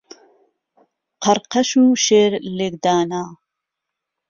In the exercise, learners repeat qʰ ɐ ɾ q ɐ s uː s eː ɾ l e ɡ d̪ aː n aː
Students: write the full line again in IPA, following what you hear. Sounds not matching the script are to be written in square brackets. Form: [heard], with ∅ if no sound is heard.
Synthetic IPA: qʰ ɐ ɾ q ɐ [ʃ] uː [ʃ] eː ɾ l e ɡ d̪ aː n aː